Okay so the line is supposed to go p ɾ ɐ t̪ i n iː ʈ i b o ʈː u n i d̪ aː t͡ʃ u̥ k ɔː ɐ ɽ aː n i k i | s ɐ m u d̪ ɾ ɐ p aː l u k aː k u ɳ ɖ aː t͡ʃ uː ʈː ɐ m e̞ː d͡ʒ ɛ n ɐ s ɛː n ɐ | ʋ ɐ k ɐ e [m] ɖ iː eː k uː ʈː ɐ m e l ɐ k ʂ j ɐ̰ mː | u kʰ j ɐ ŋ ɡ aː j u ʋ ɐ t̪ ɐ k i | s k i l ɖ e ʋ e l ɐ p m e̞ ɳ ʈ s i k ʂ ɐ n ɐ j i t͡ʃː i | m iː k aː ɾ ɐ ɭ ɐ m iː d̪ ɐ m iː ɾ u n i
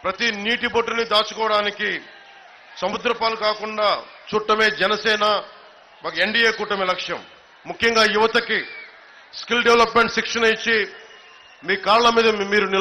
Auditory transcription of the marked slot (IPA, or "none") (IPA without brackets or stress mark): ɳ